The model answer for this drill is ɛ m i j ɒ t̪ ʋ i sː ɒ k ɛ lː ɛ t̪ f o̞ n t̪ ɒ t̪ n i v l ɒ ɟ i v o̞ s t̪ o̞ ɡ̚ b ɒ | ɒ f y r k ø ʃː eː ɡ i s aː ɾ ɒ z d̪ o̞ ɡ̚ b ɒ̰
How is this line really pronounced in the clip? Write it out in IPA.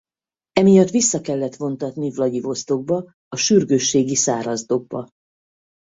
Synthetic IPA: ɛ m i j ɒ t̪ ʋ i sː ɒ k ɛ lː ɛ t̪ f o̞ n t̪ ɒ t̪ n i v l ɒ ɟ i v o̞ s t̪ o̞ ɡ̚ b ɒ | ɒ ʃ y r ɡ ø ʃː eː ɡ i s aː ɾ ɒ z d̪ o̞ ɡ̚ b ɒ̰